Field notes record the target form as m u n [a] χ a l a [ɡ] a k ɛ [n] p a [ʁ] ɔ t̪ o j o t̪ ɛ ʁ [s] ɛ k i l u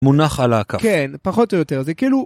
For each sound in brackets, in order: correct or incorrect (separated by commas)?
correct, incorrect, correct, incorrect, incorrect